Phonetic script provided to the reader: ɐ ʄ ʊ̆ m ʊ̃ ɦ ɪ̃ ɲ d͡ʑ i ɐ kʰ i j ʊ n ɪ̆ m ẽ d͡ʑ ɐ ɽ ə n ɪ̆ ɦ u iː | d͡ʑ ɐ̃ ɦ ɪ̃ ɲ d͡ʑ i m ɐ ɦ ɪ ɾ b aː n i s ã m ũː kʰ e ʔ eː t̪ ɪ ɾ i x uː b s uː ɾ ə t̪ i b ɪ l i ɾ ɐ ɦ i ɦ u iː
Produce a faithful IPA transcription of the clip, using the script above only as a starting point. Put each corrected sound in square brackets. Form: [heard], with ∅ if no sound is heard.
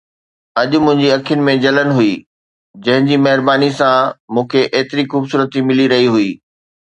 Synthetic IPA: ɐ ʄ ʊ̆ m ʊ̃ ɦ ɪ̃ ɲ d͡ʑ i ɐ kʰ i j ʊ n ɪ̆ m ẽ d͡ʑ ɐ [l] ə n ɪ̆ ɦ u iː | d͡ʑ ɐ̃ ɦ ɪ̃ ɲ d͡ʑ i m ɐ ɦ ɪ ɾ b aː n i s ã m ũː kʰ e ʔ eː t̪ ɪ ɾ i x uː b s uː ɾ ə t̪ i [m] ɪ l i ɾ ɐ ɦ i ɦ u iː